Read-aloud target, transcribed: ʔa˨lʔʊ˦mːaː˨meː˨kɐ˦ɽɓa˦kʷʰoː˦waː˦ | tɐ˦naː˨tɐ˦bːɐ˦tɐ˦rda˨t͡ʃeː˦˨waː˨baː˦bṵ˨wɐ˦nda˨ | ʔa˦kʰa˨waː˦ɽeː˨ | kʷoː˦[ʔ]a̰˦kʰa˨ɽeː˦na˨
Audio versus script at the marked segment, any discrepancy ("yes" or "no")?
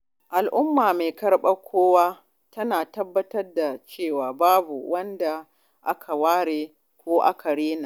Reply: no